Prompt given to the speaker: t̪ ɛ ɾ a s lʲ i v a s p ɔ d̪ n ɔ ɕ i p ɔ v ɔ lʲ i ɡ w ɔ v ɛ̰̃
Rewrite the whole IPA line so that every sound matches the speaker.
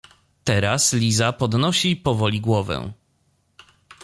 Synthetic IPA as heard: t̪ ɛ ɾ a s lʲ i z a p ɔ d̪ n ɔ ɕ i p ɔ v ɔ lʲ i ɡ w ɔ v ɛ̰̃

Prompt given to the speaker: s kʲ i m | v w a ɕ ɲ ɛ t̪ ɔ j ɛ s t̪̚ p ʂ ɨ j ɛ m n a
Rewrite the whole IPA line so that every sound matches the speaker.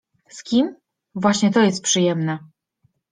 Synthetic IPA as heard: s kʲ i m | v w a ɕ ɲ ɛ t̪ ɔ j ɛ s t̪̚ p ʂ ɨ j ɛ m n ɛ

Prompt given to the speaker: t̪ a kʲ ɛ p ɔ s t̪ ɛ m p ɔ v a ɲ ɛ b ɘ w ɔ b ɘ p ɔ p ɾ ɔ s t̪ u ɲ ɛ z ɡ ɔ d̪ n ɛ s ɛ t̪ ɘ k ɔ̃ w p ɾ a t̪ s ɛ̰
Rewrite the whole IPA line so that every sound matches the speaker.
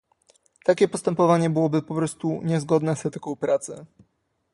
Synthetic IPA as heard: t̪ a kʲ ɛ p ɔ s t̪ ɛ m p ɔ v a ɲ ɛ b ɘ w ɔ b ɘ p ɔ p ɾ ɔ s t̪ u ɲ ɛ z ɡ ɔ d̪ n ɛ s ɛ t̪ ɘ k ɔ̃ w p ɾ a t̪ s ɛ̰

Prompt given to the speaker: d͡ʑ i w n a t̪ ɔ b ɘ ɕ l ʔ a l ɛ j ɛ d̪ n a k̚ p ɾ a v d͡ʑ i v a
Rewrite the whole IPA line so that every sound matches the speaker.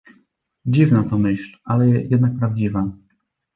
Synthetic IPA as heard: d͡ʑ i v n a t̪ ɔ m ɘ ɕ l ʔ a l ɛ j ɛ d̪ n a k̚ p ɾ a v d͡ʑ i v a

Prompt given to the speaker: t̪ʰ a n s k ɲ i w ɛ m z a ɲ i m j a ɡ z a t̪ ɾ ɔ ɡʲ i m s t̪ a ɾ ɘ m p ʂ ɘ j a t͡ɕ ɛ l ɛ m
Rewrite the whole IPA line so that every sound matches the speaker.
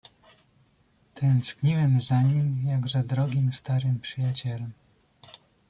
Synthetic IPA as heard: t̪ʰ ɛ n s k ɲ i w ɛ m z a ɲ i m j a ɡ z a d̪ ɾ ɔ ɡʲ i m s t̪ a ɾ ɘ m p ʂ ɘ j a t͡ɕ ɛ l ɛ m

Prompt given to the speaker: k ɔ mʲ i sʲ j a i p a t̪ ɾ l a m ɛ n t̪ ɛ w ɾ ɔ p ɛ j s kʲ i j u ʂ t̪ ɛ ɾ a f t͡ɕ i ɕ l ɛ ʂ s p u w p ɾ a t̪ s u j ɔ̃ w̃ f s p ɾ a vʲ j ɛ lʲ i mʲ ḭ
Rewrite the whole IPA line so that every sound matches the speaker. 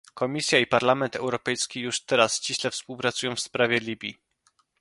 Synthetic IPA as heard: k ɔ mʲ i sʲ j a i p a ɾ l a m ɛ n t̪ ɛ w ɾ ɔ p ɛ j s kʲ i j u ʂ t̪ ɛ ɾ a s t͡ɕ i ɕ l ɛ f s p u w p ɾ a t̪ s u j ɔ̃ w̃ f s p ɾ a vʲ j ɛ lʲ i bʲ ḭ

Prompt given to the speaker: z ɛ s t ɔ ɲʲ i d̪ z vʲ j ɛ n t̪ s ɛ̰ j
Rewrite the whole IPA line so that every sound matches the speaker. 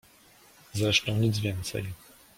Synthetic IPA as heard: z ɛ ʂ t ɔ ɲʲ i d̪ z vʲ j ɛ n t̪ s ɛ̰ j

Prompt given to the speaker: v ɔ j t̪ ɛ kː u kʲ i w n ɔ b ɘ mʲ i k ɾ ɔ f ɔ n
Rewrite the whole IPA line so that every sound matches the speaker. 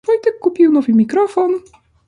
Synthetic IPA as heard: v ɔ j t̪ ɛ kː u pʲ i w n ɔ v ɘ mʲ i k ɾ ɔ f ɔ n

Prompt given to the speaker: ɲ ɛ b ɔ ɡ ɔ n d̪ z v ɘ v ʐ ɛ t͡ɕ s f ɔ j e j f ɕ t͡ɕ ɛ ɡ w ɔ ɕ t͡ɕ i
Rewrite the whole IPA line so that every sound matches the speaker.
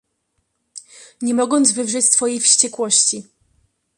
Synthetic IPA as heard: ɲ ɛ m ɔ ɡ ɔ n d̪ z v ɘ v ʐ ɛ t͡ɕ s f ɔ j e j f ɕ t͡ɕ ɛ k w ɔ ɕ t͡ɕ i

